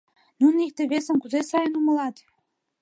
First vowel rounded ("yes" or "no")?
yes